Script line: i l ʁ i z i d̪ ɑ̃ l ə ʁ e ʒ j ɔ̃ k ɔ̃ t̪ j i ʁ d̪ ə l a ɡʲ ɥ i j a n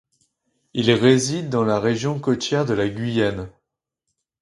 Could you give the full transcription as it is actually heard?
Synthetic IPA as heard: i l ʁ e z i d̪ː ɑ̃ l a ʁ e ʒ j ɔ̃ k ɔ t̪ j ɛ ʁ d̪ ə l a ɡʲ ɥ i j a n